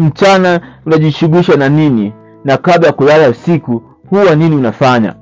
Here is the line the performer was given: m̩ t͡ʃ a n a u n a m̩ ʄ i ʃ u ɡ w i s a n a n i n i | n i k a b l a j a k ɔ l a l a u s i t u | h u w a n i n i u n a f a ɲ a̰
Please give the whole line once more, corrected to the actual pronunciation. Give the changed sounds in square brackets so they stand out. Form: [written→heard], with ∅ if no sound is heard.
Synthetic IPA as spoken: m̩ t͡ʃ a n a u n a [m̩→∅] ʄ i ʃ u ɡ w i [s→ʃ] a n a n i n i | n [i→a] k a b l a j a k [ɔ→u] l a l a u s i [t→k] u | h u w a n i n i u n a f a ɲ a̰